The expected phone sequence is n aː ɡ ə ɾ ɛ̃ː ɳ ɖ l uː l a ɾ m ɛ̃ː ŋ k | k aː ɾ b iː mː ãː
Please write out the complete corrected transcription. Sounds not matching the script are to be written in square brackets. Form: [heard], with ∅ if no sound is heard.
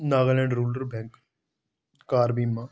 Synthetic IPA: n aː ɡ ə [l] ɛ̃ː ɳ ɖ [ɾ] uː l [ə] ɾ [b] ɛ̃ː ŋ k | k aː ɾ b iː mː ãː